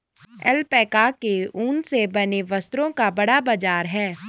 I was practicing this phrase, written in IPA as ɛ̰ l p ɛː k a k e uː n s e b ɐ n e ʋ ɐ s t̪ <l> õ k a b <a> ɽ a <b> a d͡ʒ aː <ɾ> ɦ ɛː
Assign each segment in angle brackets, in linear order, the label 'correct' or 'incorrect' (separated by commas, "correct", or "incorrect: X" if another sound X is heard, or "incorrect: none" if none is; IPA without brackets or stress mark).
incorrect: ɾ, incorrect: ɐ, correct, correct